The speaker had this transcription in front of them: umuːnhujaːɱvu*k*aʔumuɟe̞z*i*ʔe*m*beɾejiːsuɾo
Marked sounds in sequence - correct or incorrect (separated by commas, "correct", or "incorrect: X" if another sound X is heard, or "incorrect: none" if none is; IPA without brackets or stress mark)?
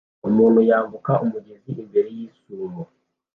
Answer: correct, correct, correct